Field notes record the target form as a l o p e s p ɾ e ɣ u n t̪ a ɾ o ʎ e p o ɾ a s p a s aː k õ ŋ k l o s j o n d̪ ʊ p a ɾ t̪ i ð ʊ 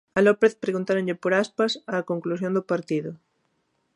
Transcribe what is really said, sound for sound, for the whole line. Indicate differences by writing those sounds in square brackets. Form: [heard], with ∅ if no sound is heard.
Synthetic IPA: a l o p e [θ] p ɾ e ɣ u n t̪ a ɾ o ʎ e p o ɾ a s p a s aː k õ ŋ k l [u] s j o n d̪ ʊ p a ɾ t̪ i ð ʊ